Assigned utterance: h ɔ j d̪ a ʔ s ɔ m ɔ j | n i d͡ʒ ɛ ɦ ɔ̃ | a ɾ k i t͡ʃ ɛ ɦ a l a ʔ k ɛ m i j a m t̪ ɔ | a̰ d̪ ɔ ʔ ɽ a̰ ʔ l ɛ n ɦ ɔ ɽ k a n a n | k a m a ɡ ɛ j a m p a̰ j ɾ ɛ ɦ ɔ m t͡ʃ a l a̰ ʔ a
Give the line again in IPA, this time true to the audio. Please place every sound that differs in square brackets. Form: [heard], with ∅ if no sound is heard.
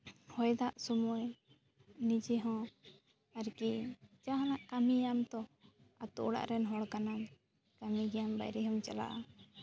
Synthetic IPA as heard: h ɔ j d̪ a ʔ s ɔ m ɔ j | n i d͡ʒ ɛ ɦ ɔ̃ | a ɾ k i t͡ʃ [a] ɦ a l a ʔ k [a] m i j a m t̪ ɔ | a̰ [t̪] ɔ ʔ ɽ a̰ ʔ [ɾ] ɛ n ɦ ɔ ɽ k a n a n | k a m [i] ɡ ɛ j a m [b] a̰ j ɾ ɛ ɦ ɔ m t͡ʃ a l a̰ ʔ a